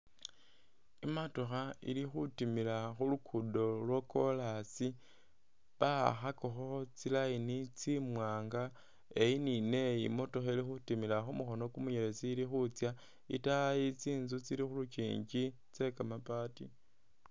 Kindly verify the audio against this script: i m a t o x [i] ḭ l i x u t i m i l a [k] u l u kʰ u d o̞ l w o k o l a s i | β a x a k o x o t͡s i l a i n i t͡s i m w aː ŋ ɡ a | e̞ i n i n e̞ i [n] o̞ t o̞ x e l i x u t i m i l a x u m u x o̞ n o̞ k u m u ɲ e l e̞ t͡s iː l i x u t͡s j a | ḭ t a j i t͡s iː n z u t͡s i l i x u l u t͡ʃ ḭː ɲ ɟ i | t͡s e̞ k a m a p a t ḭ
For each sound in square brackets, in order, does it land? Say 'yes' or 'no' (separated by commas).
no, no, no